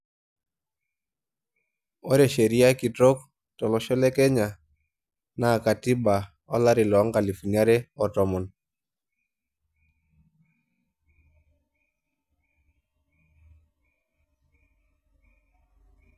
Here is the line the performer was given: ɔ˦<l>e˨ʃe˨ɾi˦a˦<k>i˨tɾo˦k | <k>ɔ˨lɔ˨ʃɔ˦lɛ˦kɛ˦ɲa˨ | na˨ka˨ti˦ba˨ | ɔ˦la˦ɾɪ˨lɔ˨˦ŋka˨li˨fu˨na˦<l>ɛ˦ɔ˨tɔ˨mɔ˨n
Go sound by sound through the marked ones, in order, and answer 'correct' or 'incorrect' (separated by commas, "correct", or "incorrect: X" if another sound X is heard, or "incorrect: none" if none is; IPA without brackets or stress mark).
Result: incorrect: ɾ, correct, incorrect: t, incorrect: ɾ